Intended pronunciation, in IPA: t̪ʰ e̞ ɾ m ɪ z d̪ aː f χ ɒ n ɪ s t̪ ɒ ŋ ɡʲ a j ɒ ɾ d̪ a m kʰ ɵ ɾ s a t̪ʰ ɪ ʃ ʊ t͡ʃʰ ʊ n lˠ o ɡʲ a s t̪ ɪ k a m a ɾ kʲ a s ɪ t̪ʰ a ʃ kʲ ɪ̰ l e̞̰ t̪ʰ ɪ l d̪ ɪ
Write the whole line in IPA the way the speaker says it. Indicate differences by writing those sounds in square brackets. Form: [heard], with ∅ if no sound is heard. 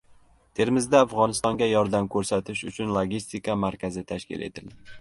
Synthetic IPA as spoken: t̪ʰ e̞ ɾ m ɪ z d̪ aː f [ʁ] ɒ n ɪ s t̪ ɒ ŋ ɡʲ a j ɒ ɾ d̪ a m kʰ ɵ ɾ s a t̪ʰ ɪ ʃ ʊ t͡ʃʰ ʊ n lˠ o ɡʲ [i] s t̪ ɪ k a m a ɾ kʲ a [z] ɪ t̪ʰ a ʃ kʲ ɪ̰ l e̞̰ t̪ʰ ɪ l d̪ ɪ